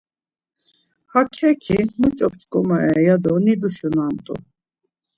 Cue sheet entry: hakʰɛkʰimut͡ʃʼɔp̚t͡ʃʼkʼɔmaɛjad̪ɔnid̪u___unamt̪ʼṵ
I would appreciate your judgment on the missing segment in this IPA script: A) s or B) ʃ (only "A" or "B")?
A